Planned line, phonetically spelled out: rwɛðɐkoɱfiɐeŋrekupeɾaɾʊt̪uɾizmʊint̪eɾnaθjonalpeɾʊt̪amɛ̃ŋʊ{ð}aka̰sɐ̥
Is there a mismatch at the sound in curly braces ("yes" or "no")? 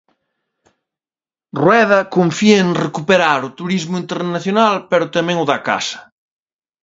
no